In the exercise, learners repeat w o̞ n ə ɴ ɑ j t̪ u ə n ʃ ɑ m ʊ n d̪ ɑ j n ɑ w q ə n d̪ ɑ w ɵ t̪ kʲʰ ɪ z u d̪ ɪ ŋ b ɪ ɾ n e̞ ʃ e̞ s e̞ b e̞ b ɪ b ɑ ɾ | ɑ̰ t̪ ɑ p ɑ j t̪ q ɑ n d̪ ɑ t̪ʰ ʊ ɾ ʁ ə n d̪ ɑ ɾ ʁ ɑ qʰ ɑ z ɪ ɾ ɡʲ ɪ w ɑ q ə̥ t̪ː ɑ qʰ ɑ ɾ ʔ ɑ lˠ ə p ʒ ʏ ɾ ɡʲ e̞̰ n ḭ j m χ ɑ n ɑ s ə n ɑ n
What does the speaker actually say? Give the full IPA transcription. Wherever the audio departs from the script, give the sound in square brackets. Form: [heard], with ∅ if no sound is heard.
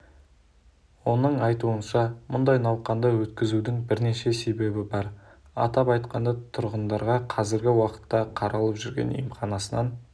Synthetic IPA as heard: w o̞ n ə ɴ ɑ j t̪ u ə n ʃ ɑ m ʊ n d̪ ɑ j n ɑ w q [ɑ] n d̪ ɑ w ɵ t̪ [kʲ] ɪ z u d̪ ɪ ŋ b ɪ ɾ n e̞ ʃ e̞ s e̞ b e̞ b ɪ b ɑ ɾ | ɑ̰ t̪ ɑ p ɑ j t̪ q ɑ n d̪ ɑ t̪ʰ ʊ ɾ ʁ ə n d̪ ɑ ɾ ʁ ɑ qʰ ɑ z ɪ ɾ ɡʲ ɪ w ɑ q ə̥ t̪ː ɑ qʰ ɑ ɾ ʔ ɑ lˠ ə p ʒ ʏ ɾ ɡʲ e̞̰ n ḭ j m χ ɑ n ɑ s ə n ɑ n